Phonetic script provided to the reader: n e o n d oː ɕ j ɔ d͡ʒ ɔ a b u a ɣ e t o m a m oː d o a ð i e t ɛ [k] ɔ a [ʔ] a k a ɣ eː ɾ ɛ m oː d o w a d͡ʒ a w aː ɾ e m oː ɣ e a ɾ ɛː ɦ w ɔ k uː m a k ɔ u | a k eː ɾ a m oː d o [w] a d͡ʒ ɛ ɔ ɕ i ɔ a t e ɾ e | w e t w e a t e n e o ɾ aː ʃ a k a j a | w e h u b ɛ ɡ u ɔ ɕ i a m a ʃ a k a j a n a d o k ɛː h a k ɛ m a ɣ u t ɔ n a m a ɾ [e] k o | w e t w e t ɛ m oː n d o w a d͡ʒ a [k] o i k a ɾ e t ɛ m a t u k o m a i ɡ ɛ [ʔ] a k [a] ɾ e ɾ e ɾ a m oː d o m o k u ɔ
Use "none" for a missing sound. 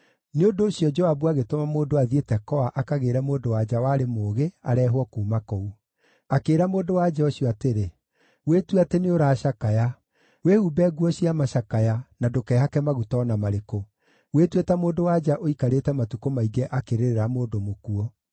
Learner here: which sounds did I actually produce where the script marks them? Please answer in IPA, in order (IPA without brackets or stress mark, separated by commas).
k, ʔ, w, e, ʔ, ʔ, e